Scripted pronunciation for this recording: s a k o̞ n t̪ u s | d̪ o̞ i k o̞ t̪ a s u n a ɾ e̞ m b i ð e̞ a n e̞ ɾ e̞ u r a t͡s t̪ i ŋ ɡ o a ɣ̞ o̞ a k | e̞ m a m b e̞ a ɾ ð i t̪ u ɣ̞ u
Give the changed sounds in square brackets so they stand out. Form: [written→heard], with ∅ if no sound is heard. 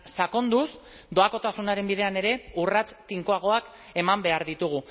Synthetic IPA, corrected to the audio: s a k o̞ n [t̪→d̪] u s | d̪ o̞ [i→a] k o̞ t̪ a s u n a ɾ e̞ m b i ð e̞ a n e̞ ɾ e̞ u r a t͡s t̪ i ŋ [ɡ→k] o a ɣ̞ o̞ a k | e̞ m a m b e̞ a ɾ ð i t̪ u ɣ̞ u